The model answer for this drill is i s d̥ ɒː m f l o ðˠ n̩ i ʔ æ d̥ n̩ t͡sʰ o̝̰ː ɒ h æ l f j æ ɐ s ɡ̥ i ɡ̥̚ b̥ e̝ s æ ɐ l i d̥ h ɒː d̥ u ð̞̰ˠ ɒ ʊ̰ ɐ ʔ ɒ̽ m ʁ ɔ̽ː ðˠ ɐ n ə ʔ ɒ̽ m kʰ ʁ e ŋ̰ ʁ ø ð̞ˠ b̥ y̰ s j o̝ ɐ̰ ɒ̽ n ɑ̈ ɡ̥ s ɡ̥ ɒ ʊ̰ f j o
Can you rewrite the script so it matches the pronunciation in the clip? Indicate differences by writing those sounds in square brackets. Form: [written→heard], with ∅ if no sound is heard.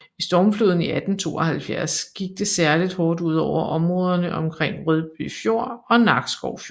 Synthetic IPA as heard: i s d̥ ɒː m f l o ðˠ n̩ i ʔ æ d̥ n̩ t͡sʰ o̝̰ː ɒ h æ l f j æ ɐ s ɡ̥ i ɡ̥̚ [b̥→d̥] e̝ s æ ɐ l i d̥ h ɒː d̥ u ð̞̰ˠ ɒ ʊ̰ ɐ ʔ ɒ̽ m ʁ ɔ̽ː ðˠ ɐ n ə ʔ ɒ̽ m kʰ ʁ e ŋ̰ ʁ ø ð̞ˠ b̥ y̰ [s→f] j o̝ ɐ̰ ɒ̽ n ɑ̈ ɡ̥ s ɡ̥ ɒ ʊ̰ f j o

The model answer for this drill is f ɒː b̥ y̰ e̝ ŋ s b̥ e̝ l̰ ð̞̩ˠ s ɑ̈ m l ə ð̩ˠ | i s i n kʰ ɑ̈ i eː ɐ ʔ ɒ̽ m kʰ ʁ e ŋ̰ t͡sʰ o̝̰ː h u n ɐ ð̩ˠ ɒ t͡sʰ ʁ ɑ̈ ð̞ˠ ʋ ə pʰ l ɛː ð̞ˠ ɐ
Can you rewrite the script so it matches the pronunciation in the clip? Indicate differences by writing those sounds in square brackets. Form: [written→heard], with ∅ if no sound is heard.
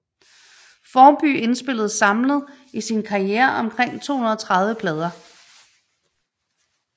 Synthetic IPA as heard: f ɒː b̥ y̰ e̝ [ŋ→n] s b̥ e̝ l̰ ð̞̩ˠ s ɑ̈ m l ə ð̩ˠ | i s i n kʰ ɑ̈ i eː ɐ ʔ ɒ̽ m kʰ ʁ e ŋ̰ t͡sʰ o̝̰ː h u n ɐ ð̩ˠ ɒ t͡sʰ ʁ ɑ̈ ð̞ˠ ʋ ə pʰ l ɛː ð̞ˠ ɐ

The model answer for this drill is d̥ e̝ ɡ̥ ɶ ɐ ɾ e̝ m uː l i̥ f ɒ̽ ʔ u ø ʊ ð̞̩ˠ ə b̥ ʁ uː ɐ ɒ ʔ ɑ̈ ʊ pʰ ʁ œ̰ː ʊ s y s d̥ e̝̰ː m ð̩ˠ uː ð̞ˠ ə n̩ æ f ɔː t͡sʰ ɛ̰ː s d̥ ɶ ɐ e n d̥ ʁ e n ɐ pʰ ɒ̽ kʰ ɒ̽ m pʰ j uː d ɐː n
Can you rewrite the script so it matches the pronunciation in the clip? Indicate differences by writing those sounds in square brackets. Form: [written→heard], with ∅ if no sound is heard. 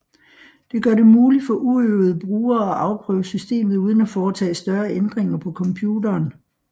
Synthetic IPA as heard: d̥ e̝ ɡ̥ ɶ ɐ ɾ e̝ m uː l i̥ f ɒ̽ ʔ u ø ʊ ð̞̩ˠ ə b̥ ʁ uː ɐ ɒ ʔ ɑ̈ ʊ pʰ ʁ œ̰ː ʊ s y s d̥ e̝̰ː m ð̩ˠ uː ð̞ˠ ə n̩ æ f [ɔː→ɒː] t͡sʰ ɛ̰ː s d̥ ɶ ɐ e n d̥ ʁ e [n→ŋ] ɐ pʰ ɒ̽ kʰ ɒ̽ m pʰ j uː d ɐː n

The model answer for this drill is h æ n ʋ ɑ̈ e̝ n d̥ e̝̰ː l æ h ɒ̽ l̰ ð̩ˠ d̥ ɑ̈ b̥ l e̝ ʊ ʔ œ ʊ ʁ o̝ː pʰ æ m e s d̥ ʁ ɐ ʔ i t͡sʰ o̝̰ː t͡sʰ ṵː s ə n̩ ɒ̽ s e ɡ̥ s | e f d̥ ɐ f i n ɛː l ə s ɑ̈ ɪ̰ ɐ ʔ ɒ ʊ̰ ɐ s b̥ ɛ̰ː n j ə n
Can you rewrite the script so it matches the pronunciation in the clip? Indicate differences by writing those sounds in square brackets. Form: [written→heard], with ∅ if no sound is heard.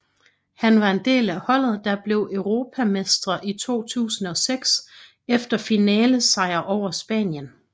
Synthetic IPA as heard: h æ n ʋ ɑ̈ e̝ n d̥ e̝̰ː l æ h ɒ̽ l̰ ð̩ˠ d̥ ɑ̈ b̥ l e̝ ʊ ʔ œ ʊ ʁ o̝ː pʰ æ m e s d̥ ʁ ɐ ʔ i t͡sʰ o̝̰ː t͡sʰ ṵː s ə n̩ ɒ̽ s e ɡ̥ s | e f d̥ ɐ f i n ɛː l ə s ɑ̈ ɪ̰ ɐ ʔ ɒ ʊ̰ ɐ s b̥ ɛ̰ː n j ə n

